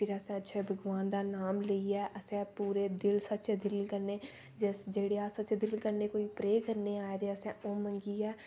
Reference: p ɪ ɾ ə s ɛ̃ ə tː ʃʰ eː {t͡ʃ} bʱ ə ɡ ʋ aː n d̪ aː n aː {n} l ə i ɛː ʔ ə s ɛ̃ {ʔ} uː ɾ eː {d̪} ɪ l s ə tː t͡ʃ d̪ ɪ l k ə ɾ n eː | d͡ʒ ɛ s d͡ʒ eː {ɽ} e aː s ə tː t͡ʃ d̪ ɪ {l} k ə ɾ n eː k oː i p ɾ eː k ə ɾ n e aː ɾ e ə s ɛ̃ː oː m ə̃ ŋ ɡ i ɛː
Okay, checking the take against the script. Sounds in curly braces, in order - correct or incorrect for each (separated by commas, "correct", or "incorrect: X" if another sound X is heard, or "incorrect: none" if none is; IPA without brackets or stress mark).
incorrect: none, incorrect: m, incorrect: p, correct, correct, correct